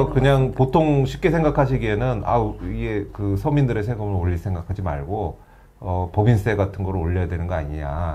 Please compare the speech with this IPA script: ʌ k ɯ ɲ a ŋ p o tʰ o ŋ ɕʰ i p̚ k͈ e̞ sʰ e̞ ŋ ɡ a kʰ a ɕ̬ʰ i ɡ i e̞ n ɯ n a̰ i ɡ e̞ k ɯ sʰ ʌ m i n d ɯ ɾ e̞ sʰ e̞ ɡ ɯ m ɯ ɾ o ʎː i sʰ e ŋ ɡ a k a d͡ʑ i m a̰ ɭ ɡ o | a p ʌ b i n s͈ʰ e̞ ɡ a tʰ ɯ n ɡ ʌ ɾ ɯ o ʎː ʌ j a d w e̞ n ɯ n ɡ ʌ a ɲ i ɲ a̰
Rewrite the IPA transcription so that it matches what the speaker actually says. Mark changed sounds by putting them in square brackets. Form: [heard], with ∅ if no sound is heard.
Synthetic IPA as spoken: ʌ k ɯ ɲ a ŋ p o tʰ o ŋ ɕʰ i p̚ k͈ e̞ sʰ e̞ ŋ ɡ a kʰ a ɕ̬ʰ i ɡ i e̞ n ɯ n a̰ i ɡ e̞ k ɯ sʰ ʌ m i n d ɯ ɾ e̞ sʰ e̞ ɡ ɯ m ɯ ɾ o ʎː i sʰ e ŋ ɡ a [kʰ] a d͡ʑ i m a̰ ɭ ɡ o | [ʌ] p ʌ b i n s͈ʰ e̞ ɡ a tʰ ɯ n ɡ ʌ ɾ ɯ o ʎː ʌ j a d w e̞ n ɯ n ɡ ʌ a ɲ i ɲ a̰